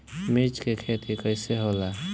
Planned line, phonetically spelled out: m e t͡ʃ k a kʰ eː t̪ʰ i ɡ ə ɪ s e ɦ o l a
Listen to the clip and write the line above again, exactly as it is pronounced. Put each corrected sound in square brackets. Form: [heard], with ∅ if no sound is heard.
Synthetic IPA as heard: m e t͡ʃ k [e] kʰ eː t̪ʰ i [k] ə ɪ s e ɦ o l a